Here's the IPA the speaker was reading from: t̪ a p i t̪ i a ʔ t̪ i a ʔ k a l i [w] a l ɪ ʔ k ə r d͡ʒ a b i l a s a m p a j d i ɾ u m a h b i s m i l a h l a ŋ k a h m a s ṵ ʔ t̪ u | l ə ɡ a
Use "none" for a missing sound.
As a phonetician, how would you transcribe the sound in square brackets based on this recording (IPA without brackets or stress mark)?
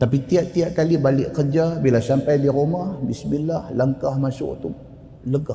b